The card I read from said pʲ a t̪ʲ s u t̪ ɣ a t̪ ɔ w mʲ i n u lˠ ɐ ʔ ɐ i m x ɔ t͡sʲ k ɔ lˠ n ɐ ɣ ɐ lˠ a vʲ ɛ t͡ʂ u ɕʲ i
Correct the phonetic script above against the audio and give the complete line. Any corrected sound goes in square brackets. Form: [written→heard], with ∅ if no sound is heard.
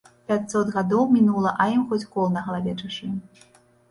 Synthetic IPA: pʲ a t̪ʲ s [u→ɔ] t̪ ɣ a [t̪→d̪] ɔ w mʲ i n u lˠ ɐ ʔ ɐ i m x ɔ t͡sʲ k ɔ lˠ n ɐ ɣ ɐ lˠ a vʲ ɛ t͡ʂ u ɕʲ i